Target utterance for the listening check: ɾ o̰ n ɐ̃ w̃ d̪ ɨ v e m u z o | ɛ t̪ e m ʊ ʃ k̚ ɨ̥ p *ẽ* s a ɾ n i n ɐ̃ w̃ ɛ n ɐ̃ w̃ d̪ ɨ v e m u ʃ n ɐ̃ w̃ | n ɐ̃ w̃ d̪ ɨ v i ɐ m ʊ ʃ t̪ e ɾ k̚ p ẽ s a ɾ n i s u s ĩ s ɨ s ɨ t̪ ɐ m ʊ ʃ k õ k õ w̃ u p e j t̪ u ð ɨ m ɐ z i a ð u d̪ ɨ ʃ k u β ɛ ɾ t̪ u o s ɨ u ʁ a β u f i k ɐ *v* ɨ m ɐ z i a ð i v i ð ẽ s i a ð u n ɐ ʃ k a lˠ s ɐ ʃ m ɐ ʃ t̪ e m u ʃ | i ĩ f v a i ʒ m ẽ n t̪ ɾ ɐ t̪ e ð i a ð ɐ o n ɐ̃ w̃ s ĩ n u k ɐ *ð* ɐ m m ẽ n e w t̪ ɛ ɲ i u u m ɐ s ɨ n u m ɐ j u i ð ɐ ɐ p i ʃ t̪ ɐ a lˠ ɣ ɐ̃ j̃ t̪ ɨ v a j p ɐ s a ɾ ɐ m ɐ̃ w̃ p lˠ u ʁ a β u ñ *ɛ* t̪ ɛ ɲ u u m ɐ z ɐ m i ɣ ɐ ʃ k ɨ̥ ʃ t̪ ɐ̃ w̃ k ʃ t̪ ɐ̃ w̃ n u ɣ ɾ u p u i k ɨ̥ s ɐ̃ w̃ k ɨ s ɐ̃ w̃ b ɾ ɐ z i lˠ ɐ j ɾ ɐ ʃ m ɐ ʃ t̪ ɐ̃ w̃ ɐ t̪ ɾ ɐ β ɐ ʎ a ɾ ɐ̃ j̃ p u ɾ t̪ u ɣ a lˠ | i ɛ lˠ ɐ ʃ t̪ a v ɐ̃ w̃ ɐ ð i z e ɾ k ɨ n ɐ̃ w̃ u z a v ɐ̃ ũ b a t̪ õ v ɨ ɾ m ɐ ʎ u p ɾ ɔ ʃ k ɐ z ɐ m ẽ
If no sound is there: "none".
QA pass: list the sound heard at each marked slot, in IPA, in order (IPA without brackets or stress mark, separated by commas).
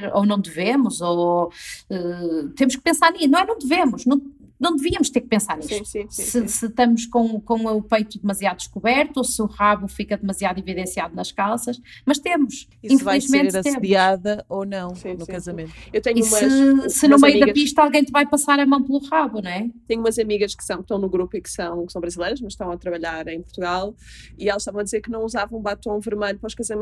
ẽ, ð, z, ɛ